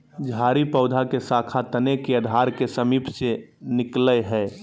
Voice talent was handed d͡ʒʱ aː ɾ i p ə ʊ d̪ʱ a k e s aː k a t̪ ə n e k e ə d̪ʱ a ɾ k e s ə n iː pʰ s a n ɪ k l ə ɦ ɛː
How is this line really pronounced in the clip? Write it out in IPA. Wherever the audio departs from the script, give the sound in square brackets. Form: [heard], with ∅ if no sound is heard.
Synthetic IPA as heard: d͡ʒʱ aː ɾ i p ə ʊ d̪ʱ a k e s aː [kʰ] a t̪ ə n e k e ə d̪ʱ a ɾ k e s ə [m] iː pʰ s [e] n ɪ k l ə ɦ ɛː